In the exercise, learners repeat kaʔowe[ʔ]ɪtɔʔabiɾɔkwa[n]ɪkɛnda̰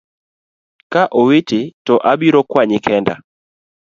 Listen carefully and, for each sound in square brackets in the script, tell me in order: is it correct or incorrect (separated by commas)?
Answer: incorrect, incorrect